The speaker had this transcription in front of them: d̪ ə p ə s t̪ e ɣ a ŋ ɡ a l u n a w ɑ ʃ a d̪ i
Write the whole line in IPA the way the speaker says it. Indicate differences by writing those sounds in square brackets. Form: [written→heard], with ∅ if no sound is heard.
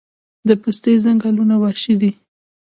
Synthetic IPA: d̪ ə p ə s t̪ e [ɣ→z] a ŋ ɡ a l u n a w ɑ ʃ [a→i] d̪ i